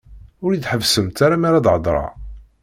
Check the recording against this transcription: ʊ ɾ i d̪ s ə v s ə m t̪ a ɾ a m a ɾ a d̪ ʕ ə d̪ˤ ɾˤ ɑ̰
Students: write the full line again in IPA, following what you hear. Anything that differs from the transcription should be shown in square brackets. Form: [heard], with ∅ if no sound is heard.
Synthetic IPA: ʊ ɾ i d̪ [ħ] ə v s ə m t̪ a ɾ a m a ɾ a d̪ ʕ ə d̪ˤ ɾˤ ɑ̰